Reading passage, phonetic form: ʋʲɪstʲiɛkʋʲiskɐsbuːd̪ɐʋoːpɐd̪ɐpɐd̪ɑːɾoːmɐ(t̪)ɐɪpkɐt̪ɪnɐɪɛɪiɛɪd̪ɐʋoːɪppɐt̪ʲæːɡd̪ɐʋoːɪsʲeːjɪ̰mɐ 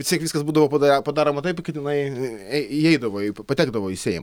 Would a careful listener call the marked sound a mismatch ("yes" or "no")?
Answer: no